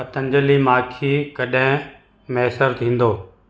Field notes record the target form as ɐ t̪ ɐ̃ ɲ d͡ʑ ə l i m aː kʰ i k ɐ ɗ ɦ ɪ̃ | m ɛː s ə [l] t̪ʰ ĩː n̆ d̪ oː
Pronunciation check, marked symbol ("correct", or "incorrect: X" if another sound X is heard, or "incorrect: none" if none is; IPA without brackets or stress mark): incorrect: ɾ